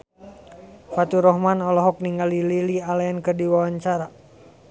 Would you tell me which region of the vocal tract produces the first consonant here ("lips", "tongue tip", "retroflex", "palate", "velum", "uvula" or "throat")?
lips